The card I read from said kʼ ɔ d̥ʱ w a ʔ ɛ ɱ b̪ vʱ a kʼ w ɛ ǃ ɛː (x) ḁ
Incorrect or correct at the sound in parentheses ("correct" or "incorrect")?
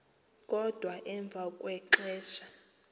incorrect